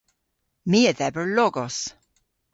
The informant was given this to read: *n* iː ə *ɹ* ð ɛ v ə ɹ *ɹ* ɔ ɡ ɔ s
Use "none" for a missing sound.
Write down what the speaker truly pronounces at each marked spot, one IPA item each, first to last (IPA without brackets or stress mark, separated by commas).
m, none, l